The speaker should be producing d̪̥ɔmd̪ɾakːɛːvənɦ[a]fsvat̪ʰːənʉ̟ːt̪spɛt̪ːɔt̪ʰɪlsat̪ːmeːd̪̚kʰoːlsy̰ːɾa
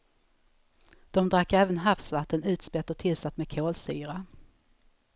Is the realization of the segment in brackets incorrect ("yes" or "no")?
no